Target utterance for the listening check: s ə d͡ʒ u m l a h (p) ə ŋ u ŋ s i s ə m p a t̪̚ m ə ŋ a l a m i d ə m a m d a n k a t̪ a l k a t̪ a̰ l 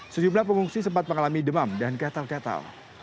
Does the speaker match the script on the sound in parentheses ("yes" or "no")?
yes